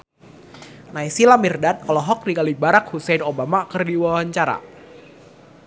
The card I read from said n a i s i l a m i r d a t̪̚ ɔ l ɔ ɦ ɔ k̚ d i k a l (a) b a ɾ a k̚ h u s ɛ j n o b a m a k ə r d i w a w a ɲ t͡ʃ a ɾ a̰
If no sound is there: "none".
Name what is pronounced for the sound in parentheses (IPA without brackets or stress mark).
i